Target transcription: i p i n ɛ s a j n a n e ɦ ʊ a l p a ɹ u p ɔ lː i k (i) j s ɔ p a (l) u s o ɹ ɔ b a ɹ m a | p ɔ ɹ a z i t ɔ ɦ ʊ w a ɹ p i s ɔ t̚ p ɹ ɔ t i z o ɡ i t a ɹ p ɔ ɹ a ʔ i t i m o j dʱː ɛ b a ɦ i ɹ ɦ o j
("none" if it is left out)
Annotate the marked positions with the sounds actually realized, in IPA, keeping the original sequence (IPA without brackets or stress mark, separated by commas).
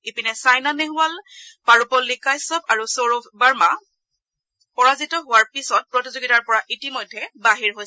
a, ɹ